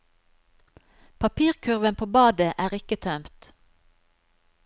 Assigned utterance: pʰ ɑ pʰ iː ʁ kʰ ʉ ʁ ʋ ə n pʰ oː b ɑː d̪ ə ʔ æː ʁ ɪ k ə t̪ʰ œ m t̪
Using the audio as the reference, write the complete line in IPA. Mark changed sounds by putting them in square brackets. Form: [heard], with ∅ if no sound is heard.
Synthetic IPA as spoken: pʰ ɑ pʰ iː ʁ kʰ ʉ ʁ ʋ ə n pʰ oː b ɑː d̪ ə ʔ æː ʁ ɪ k ə t̪ʰ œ m t̪